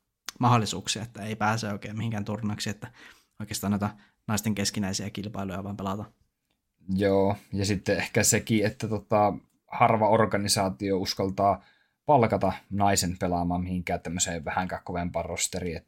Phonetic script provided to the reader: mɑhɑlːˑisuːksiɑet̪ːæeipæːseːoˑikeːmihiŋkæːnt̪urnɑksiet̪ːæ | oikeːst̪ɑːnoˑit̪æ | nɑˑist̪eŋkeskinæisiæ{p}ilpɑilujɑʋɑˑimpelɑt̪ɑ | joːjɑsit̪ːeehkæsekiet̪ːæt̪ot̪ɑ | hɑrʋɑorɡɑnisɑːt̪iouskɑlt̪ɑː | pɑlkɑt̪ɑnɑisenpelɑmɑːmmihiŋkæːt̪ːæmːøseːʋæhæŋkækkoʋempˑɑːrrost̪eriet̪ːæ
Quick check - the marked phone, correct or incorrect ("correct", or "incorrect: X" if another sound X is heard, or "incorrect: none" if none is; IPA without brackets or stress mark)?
incorrect: k